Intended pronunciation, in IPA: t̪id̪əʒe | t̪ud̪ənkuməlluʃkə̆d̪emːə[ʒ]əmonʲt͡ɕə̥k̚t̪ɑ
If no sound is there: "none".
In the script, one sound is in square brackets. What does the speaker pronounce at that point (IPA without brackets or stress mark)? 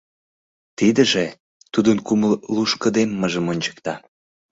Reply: ʒ